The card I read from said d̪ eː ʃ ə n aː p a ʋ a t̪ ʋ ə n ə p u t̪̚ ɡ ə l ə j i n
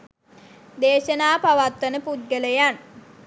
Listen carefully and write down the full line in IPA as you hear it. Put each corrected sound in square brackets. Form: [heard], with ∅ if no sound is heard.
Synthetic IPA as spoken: d̪ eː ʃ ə n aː p a ʋ a t̪ ʋ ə n ə p u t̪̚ ɡ ə l ə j [a] n